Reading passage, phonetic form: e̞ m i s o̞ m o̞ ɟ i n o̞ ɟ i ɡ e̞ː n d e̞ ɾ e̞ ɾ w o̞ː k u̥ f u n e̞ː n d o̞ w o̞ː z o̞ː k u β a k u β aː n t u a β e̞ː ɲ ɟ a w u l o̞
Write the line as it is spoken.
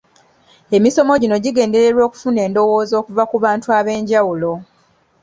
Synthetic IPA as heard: e̞ m i s o̞ m o̞ ɟ i n o̞ ɟ i ɡ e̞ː n d e̞ ɾ e̞ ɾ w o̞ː k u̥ f u n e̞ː n d o̞ w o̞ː z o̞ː k u v a k u β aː n t u a β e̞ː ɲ ɟ a w u l o̞